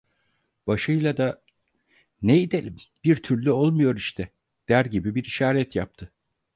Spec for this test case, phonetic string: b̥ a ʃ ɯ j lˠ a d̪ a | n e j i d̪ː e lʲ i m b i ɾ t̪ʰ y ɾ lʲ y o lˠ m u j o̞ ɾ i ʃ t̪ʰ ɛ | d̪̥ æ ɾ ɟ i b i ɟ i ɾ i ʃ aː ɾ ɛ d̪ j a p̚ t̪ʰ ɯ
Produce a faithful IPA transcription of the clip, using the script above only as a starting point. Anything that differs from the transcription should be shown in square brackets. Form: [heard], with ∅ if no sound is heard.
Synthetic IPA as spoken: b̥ a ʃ ɯ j lˠ a d̪ a | n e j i [d̪] e lʲ i m b i ɾ t̪ʰ y ɾ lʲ y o lˠ m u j o̞ ɾ i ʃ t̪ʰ ɛ | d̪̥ æ ɾ ɟ i b i [b] i ɾ i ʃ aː ɾ ɛ [t̪] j a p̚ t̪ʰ ɯ

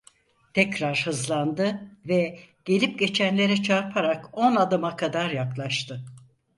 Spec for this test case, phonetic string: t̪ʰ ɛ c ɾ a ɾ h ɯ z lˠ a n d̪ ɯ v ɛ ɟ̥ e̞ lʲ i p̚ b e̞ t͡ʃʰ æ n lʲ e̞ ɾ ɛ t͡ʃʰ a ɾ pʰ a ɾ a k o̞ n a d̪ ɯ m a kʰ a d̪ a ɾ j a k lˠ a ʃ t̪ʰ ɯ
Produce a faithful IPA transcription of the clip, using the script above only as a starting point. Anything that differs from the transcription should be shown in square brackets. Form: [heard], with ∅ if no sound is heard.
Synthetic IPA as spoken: t̪ʰ ɛ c ɾ a ɾ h ɯ z lˠ a n d̪ ɯ v ɛ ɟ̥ e̞ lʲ i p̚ [ɟ] e̞ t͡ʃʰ æ n lʲ e̞ ɾ ɛ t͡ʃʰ a ɾ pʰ a ɾ a k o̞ n a d̪ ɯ m a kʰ a d̪ a ɾ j a k lˠ a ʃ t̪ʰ ɯ

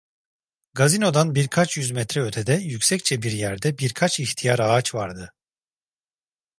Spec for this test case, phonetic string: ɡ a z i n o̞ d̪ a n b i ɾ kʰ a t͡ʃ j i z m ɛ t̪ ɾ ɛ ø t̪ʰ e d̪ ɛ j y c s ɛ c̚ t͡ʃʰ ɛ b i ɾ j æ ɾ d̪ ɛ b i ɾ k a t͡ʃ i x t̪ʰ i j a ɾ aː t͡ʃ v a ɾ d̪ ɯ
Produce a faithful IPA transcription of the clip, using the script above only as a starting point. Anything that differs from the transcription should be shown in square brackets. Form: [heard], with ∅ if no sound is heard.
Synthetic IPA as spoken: ɡ a z i n o̞ d̪ a n b i ɾ kʰ a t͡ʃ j [y] z m ɛ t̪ ɾ ɛ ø t̪ʰ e d̪ ɛ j y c s ɛ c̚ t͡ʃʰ ɛ b i ɾ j æ ɾ d̪ ɛ b i ɾ [kʰ] a t͡ʃ i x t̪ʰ i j a ɾ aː t͡ʃ v a ɾ d̪ ɯ

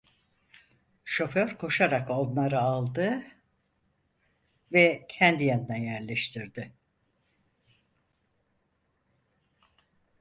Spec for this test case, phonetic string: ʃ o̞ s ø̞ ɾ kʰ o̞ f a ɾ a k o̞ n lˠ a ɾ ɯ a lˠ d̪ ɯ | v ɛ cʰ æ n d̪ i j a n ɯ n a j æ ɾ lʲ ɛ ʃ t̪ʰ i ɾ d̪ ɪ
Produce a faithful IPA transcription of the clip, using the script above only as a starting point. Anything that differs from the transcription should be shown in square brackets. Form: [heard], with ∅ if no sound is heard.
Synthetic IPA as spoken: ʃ o̞ [f] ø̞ ɾ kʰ o̞ [ʃ] a ɾ a k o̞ n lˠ a ɾ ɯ a lˠ d̪ ɯ | v ɛ cʰ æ n d̪ i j a n ɯ n a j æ ɾ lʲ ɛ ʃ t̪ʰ i ɾ d̪ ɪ

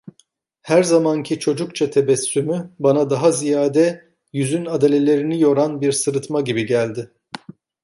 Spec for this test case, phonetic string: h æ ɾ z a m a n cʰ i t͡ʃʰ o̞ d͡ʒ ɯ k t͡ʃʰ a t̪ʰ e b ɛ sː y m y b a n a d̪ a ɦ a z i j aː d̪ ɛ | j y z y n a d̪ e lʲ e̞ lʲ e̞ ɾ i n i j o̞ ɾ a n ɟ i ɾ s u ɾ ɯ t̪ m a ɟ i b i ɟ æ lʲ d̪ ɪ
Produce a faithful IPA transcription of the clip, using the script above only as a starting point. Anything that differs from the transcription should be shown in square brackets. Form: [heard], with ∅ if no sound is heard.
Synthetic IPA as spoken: h æ ɾ z a m a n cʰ i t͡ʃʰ o̞ d͡ʒ [u] k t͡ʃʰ a t̪ʰ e b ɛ sː y m y b a n a d̪ a ɦ a z i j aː d̪ ɛ | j y z y n a d̪ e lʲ e̞ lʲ e̞ ɾ i n i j o̞ ɾ a n [b] i ɾ s [ɯ] ɾ ɯ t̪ m a ɟ i b i ɟ æ lʲ d̪ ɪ

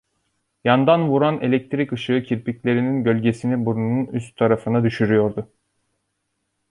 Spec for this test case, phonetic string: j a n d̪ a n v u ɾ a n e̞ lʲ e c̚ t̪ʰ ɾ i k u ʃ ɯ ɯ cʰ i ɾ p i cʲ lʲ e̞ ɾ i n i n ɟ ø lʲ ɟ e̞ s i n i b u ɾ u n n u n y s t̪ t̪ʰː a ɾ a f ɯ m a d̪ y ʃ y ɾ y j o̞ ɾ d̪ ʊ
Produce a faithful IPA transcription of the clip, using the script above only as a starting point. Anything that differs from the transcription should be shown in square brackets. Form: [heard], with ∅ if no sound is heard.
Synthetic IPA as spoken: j a n d̪ a n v u ɾ a n e̞ lʲ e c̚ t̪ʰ ɾ i k [ɯ] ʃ ɯ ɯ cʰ i ɾ p i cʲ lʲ e̞ ɾ i n i n ɟ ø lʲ ɟ e̞ s i n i b u ɾ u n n u n y s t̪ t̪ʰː a ɾ a f ɯ [n] a d̪ y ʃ y ɾ y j o̞ ɾ d̪ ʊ

